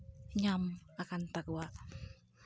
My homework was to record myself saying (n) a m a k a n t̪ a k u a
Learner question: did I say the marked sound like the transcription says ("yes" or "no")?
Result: no